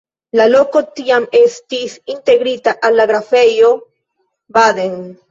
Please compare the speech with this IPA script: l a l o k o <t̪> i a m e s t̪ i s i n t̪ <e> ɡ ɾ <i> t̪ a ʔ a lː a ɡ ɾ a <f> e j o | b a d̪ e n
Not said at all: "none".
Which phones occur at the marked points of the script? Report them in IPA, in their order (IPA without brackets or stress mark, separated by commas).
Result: t̪, e, i, f